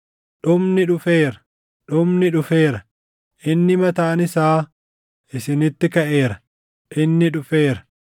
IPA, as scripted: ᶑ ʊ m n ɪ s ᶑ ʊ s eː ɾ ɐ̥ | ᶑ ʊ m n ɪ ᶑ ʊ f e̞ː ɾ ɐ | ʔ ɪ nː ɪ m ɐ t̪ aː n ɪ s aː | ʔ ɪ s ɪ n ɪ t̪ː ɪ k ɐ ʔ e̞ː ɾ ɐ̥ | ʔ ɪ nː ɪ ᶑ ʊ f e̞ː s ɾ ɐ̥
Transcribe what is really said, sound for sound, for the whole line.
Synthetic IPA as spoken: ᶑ ʊ m n ɪ ᶑ ʊ f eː ɾ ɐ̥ | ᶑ ʊ m n ɪ ᶑ ʊ f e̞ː ɾ ɐ | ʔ ɪ nː ɪ m ɐ t̪ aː n ɪ s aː | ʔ ɪ s ɪ n ɪ t̪ː ɪ k ɐ ʔ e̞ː ɾ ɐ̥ | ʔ ɪ nː ɪ ᶑ ʊ f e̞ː ɾ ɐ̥